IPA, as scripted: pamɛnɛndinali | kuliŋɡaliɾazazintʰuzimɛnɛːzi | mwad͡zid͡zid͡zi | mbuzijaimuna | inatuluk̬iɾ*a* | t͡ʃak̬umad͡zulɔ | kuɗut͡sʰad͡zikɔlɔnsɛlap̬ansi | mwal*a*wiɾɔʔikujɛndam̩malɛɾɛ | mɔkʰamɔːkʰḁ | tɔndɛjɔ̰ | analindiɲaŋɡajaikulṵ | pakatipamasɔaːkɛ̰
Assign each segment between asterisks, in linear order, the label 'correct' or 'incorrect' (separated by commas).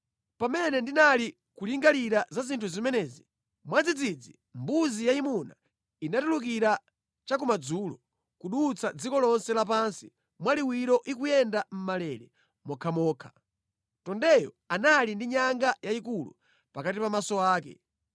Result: correct, incorrect